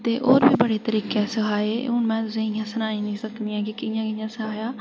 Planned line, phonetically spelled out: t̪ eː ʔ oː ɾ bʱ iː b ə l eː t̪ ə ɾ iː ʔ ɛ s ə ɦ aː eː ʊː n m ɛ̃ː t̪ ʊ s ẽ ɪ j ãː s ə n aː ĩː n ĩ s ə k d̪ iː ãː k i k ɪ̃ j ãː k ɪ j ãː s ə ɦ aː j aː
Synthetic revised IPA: t̪ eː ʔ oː ɾ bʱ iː b ə ɽ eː t̪ ə ɾ iː k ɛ s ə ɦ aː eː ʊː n m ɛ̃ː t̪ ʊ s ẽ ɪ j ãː s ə n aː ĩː n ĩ s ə k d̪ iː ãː k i k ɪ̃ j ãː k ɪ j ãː s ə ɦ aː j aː